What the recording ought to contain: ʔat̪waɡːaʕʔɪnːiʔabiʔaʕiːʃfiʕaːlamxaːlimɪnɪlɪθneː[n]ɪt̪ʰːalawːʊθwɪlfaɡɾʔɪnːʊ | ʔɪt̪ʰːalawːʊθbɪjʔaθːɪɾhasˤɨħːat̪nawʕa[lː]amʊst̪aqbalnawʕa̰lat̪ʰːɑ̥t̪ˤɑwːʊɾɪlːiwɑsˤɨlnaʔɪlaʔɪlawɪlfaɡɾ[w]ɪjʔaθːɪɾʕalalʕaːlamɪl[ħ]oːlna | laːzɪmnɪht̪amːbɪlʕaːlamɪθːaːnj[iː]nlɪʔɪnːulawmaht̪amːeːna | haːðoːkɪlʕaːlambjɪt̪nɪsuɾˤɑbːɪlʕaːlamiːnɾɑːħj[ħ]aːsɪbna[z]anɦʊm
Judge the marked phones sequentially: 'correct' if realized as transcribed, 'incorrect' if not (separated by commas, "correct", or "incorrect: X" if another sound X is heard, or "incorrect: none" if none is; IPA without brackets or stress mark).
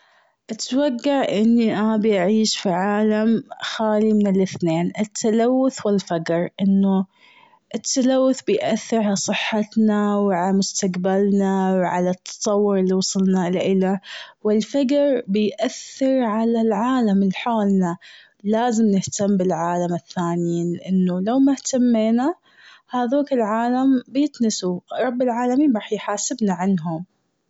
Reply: correct, incorrect: l, incorrect: b, correct, correct, correct, incorrect: ʕ